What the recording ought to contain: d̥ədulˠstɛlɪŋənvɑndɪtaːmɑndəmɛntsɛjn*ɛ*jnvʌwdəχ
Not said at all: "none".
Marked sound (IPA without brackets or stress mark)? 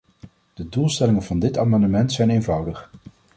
e